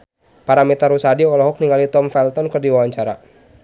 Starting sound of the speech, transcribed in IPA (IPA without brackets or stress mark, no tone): p